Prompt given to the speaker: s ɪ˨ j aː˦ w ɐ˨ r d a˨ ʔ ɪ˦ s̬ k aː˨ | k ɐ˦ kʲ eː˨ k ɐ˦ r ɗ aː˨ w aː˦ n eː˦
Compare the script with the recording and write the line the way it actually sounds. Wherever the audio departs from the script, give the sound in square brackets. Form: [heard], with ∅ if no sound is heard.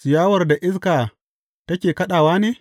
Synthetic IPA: s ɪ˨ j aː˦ w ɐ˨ r d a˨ ʔ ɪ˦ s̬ k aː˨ | [t] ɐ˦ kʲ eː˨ k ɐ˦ [∅] ɗ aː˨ w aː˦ n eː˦